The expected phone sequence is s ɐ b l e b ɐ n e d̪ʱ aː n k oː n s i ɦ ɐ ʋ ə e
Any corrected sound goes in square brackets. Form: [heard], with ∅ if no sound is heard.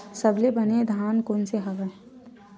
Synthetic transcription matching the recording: s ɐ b l e b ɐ n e d̪ʱ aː n k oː n s [e] ɦ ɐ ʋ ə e